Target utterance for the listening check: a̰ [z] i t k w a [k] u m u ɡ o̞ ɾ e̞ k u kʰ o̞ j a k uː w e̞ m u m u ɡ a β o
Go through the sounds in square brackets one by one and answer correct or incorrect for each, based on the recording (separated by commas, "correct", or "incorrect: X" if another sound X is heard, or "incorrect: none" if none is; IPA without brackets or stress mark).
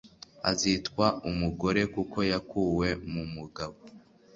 correct, incorrect: none